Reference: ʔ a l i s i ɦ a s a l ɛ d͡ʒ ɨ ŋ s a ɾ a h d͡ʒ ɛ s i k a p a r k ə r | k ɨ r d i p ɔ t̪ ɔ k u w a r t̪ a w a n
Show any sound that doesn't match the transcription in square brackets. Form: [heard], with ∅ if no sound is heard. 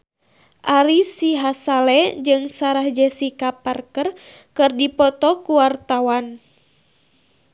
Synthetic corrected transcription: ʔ a [ɾ] i s i ɦ a s a l ɛ d͡ʒ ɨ ŋ s a ɾ a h d͡ʒ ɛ s i k a p a r k ə r | k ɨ r d i p ɔ t̪ ɔ k u w a r t̪ a w a n